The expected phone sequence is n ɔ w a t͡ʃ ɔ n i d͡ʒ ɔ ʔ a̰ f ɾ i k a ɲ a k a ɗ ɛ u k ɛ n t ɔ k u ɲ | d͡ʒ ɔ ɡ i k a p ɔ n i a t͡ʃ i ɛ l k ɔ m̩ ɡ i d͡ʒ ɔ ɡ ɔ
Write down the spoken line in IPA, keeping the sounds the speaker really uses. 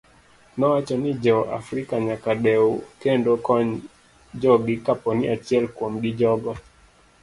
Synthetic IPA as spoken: n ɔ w a t͡ʃ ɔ n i d͡ʒ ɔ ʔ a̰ f ɾ i k a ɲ a k a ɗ ɛ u k ɛ n d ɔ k ɔ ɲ | d͡ʒ ɔ ɡ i k a p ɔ n i a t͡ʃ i ɛ l k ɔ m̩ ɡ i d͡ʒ ɔ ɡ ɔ

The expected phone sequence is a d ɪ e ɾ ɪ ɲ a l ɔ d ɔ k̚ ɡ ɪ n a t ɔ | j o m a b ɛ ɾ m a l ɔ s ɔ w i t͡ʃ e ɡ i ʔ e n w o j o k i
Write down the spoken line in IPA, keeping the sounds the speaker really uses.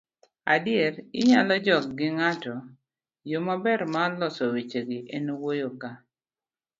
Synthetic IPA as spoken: a d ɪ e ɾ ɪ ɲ a l ɔ d͡ʒ ɔ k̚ ɡ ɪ ŋ a t ɔ | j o m a b ɛ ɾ m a l ɔ s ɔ w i t͡ʃ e ɡ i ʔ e n w o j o k a

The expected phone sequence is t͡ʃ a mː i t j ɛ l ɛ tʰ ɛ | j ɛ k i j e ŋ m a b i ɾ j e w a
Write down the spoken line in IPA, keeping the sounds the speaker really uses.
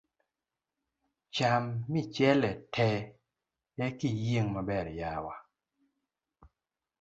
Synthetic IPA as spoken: t͡ʃ a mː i t͡ʃ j ɛ l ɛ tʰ ɛ | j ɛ k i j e ŋ m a b ɛ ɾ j a w a

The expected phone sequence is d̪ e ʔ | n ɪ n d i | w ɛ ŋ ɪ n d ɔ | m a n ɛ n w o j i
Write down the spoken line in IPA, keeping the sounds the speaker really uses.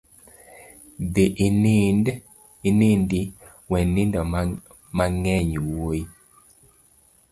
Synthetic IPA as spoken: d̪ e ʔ | n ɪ n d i | w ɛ n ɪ n d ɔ | m a ŋ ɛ ɲ w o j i

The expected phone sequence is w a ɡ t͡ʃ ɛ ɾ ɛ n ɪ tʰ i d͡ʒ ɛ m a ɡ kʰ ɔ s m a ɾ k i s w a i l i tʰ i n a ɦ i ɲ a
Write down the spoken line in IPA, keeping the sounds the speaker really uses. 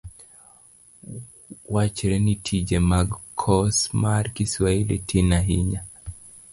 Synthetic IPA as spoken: w a t͡ʃ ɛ ɾ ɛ n i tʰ i d͡ʒ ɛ m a ɡ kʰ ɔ s m a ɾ k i s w a i l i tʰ i n a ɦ i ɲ a

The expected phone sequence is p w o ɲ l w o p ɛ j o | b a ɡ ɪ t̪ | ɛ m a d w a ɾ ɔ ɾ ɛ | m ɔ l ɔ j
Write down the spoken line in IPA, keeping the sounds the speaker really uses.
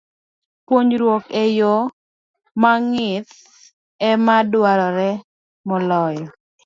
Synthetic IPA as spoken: p w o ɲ ɾ w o k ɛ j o | m a ŋ ɪ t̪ | ɛ m a d w a ɾ ɔ ɾ ɛ | m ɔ l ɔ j

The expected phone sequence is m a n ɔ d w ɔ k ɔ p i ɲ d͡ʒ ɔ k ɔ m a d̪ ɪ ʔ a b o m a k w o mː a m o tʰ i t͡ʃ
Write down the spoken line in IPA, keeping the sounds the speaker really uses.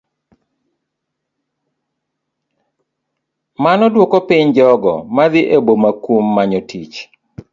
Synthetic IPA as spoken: m a n ɔ d w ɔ k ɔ p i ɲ d͡ʒ ɔ ɡ ɔ m a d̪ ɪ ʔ e b o m a k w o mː a ɲ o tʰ i t͡ʃ

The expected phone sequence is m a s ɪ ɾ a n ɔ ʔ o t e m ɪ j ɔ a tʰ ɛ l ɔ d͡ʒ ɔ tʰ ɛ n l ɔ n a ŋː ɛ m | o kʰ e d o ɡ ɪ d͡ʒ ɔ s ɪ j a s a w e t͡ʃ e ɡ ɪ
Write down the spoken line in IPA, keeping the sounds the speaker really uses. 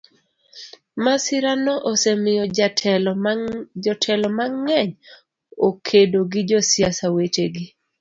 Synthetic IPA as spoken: m a s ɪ ɾ a n ɔ ʔ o s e m ɪ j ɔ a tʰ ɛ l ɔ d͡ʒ ɔ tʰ ɛ l ɔ m a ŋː ɛ ɲ | o kʰ e d o ɡ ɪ d͡ʒ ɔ s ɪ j a s a w e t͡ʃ e ɡ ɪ

